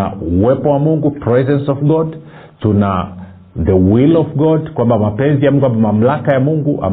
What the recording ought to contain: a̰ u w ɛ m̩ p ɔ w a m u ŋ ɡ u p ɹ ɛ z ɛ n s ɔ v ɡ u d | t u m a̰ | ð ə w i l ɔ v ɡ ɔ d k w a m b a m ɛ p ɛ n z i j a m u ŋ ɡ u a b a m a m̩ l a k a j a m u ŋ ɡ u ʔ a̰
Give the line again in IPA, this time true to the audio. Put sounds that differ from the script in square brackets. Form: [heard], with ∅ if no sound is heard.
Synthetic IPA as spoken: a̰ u w ɛ [∅] p ɔ w a m u ŋ ɡ u p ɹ ɛ z ɛ n s ɔ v ɡ [ɔ] d | t u [n] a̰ | ð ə w i l ɔ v ɡ ɔ d k w a m b a m [a] p ɛ n z i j a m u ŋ ɡ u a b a m a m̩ l a k a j a m u ŋ ɡ u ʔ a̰